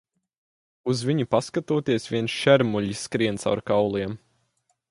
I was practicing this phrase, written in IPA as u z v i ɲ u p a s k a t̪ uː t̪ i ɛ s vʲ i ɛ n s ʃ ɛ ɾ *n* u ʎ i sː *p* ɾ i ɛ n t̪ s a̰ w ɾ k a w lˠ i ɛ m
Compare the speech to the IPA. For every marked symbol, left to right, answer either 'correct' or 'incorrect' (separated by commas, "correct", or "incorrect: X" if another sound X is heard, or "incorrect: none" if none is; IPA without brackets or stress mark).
incorrect: m, incorrect: k